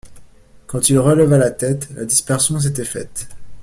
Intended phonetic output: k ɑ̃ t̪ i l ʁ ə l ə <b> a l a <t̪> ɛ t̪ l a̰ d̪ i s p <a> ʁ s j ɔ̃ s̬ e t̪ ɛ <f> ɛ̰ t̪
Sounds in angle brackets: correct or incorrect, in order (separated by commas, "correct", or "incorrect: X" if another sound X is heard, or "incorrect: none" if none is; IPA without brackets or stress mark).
incorrect: v, correct, incorrect: ɛ, correct